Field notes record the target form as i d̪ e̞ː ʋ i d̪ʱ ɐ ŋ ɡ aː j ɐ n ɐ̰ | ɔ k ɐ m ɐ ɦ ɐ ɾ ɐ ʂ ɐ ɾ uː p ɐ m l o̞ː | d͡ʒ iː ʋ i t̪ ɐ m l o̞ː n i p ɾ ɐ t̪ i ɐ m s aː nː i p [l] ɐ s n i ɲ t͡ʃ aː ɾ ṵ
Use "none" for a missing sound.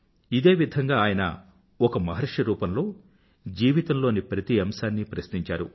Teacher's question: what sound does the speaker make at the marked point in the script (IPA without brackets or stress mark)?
ɾ